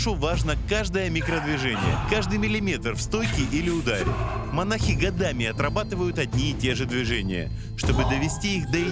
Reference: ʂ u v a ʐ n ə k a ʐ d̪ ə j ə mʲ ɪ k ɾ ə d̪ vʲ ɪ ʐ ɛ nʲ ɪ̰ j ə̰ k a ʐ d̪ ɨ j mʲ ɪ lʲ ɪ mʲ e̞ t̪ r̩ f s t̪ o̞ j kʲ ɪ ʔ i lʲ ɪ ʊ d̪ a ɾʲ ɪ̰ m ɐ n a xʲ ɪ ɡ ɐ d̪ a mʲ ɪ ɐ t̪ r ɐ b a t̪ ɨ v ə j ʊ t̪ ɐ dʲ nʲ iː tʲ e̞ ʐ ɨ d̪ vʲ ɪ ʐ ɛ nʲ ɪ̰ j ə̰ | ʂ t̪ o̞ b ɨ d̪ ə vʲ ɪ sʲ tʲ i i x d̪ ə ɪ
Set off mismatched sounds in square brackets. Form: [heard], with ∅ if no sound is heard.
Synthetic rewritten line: ʂ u v a ʐ n ə k a ʐ d̪ ə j ə mʲ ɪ k ɾ ə d̪ vʲ ɪ ʐ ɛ nʲ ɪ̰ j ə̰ k a ʐ d̪ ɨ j mʲ ɪ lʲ ɪ mʲ e̞ t̪ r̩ f s t̪ o̞ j kʲ ɪ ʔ i lʲ ɪ ʊ d̪ a ɾʲ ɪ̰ m ɐ n a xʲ ɪ ɡ ɐ d̪ a mʲ ɪ ɐ t̪ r ɐ b a t̪ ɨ v ə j ʊ t̪ ɐ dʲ nʲ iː tʲ e̞ ʐ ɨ d̪ vʲ ɪ ʐ ɛ nʲ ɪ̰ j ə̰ | ʂ t̪ o̞ b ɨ d̪ ə vʲ ɪ sʲ tʲ i i x d̪ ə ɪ